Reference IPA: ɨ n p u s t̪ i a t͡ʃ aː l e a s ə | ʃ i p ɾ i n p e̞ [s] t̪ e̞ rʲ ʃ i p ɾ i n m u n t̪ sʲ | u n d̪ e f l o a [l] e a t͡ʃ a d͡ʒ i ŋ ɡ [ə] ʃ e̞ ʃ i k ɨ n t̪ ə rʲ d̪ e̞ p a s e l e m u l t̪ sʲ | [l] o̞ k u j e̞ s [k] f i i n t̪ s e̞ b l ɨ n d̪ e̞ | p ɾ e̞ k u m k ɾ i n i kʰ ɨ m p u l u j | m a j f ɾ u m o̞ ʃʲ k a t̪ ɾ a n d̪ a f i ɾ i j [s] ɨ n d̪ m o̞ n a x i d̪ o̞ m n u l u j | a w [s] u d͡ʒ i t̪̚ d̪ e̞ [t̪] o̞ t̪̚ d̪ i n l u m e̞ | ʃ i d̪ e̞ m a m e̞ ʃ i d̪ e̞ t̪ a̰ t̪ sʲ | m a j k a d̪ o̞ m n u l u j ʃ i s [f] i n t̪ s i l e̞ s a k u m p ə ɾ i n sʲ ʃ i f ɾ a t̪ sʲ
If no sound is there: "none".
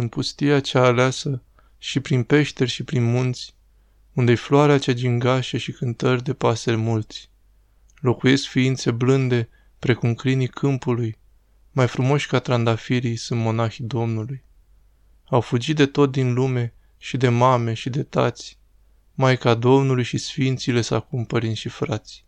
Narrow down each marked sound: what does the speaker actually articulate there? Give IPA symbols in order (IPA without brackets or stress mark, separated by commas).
ʃ, ɾ, a, l, k, s, f, t̪, f